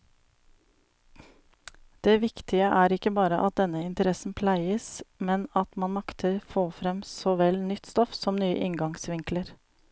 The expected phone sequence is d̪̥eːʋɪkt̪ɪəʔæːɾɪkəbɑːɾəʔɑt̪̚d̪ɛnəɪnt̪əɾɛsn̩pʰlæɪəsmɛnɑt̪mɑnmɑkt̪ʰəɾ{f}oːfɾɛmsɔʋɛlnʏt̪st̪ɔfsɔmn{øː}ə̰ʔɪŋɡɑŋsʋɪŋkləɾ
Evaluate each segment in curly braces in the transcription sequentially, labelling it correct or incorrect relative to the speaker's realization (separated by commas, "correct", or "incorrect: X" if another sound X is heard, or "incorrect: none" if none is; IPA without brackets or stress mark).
correct, incorrect: yː